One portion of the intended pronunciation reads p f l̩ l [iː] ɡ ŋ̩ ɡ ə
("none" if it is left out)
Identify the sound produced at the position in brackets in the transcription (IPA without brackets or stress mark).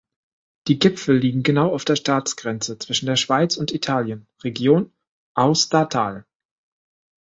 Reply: iː